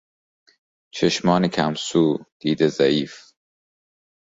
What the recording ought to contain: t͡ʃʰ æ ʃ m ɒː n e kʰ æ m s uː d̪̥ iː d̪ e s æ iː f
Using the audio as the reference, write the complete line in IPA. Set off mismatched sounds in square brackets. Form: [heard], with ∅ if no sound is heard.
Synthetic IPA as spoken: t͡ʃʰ [e] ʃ m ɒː n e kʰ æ m s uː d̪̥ iː d̪ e [z] æ iː f